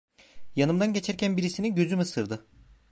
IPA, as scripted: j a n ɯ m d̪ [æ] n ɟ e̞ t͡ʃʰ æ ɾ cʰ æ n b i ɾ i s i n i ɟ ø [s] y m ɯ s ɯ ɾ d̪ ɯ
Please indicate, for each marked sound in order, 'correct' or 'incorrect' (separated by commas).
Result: incorrect, incorrect